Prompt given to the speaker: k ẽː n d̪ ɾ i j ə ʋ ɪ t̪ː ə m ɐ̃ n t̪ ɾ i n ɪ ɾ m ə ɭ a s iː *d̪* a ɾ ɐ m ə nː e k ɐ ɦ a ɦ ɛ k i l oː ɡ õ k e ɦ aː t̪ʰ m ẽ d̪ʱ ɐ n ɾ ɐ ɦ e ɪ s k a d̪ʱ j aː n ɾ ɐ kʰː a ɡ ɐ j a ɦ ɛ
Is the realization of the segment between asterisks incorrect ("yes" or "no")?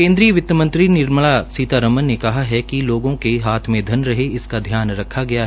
yes